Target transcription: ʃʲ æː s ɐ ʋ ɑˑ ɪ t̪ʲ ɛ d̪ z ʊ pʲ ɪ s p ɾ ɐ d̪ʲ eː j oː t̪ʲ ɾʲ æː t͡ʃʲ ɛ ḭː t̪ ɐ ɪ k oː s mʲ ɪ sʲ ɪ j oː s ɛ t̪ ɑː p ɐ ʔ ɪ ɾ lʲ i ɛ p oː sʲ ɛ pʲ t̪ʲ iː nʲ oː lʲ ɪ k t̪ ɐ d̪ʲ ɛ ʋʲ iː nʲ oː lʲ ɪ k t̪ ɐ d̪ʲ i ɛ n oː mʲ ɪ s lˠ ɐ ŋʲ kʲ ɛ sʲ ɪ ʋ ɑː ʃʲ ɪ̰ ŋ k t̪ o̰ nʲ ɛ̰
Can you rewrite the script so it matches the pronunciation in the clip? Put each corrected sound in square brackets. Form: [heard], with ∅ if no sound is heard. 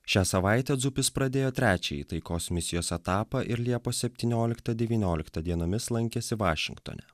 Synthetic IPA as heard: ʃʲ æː s ɐ ʋ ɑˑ ɪ t̪ʲ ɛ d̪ z ʊ pʲ ɪ s p ɾ ɐ d̪ʲ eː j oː t̪ʲ ɾʲ æː t͡ʃʲ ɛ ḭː t̪ ɐ ɪ k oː s mʲ ɪ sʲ ɪ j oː s ɛ t̪ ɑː p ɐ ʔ ɪ ɾ lʲ i ɛ p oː sʲ ɛ pʲ t̪ʲ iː nʲ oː lʲ ɪ k t̪ ɐ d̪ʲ ɛ ʋʲ iː nʲ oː lʲ ɪ k t̪ ɐ d̪ʲ i ɛ n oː mʲ ɪ s lˠ ɐ ŋʲ kʲ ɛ sʲ ɪ ʋ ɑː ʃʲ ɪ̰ ŋ k t̪ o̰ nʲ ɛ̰